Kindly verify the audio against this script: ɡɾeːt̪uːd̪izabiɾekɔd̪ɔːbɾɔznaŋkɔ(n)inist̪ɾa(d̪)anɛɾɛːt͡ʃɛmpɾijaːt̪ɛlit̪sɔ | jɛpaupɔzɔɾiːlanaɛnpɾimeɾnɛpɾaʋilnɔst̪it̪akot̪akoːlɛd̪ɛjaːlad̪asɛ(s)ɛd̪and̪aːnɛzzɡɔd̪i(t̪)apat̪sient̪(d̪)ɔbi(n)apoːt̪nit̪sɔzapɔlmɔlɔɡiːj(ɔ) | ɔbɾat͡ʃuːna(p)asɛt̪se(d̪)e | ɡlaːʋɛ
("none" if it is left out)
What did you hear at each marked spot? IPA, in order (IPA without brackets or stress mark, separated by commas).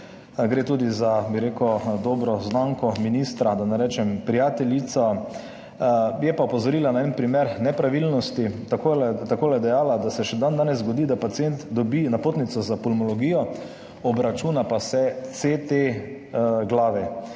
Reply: m, d̪, ʃ, d̪, d̪, n, ɔ, p, t̪